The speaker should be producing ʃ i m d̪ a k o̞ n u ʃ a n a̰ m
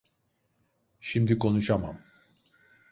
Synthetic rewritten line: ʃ i m d̪ i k o̞ n u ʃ a m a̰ m